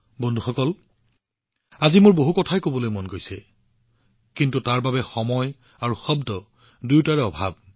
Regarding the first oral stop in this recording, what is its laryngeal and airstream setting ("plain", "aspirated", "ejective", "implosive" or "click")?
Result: plain